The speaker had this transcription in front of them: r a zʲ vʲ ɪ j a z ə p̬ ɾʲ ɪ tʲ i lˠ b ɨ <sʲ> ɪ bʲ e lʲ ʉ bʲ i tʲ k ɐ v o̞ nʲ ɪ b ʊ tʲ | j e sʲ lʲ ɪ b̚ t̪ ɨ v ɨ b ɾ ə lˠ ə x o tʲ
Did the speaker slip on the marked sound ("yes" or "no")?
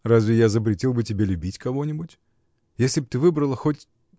yes